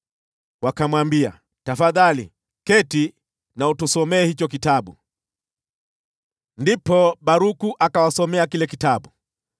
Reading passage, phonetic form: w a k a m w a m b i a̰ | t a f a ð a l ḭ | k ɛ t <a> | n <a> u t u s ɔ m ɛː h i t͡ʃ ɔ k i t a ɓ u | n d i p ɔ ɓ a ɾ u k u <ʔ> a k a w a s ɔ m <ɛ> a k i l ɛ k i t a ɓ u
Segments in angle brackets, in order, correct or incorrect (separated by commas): incorrect, correct, correct, correct